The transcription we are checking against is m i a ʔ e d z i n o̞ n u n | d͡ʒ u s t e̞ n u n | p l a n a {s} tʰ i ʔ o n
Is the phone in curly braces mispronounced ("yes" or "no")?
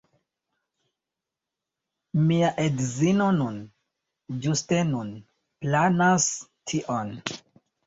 no